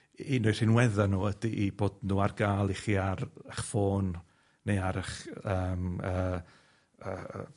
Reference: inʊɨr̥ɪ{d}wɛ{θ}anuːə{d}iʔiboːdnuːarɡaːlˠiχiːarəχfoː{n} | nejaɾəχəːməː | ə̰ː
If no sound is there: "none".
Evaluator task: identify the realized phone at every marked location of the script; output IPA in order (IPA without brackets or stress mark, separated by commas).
n, ð, d, n